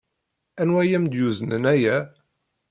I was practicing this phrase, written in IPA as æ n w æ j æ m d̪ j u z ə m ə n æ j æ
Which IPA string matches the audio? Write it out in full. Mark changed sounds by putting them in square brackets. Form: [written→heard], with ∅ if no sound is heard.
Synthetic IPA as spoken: æ n w æ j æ m d̪ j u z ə [m→n] ə n æ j æ